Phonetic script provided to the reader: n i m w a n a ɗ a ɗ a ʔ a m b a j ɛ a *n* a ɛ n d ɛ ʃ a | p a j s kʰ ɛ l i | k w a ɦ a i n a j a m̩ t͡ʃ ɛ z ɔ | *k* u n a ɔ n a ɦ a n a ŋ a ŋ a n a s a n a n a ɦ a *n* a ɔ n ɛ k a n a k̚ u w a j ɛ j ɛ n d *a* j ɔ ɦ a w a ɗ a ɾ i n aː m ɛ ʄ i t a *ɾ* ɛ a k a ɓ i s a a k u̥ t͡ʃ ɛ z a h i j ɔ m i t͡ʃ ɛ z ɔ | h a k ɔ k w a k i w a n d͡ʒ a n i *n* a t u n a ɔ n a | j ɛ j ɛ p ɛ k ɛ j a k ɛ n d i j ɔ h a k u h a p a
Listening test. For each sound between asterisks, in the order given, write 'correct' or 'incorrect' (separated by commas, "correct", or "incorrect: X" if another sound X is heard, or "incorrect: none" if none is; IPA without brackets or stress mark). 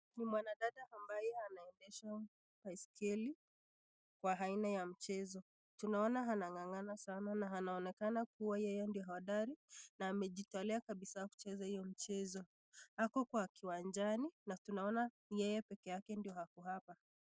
correct, incorrect: t, correct, incorrect: i, incorrect: l, correct